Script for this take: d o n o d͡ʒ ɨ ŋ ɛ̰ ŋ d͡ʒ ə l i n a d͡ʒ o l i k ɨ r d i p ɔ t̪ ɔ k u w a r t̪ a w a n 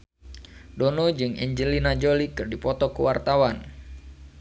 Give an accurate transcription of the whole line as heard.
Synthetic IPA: d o n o d͡ʒ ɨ ŋ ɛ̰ ɲ d͡ʒ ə l i n a d͡ʒ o l i k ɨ r d i p ɔ t̪ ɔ k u w a r t̪ a w a n